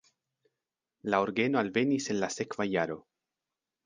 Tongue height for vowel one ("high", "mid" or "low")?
low